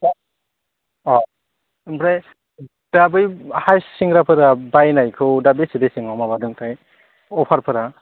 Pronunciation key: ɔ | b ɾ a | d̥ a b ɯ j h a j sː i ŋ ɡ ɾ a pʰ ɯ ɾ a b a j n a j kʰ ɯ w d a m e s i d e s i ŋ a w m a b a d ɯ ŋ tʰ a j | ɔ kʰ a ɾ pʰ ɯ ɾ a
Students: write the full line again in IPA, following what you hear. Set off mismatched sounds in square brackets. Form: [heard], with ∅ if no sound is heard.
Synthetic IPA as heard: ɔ | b ɾ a | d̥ a b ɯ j h a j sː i ŋ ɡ ɾ a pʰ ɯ ɾ a b a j n a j kʰ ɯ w d a [b] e s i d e s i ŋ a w m a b a d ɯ ŋ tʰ a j | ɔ [pʰ] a ɾ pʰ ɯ ɾ a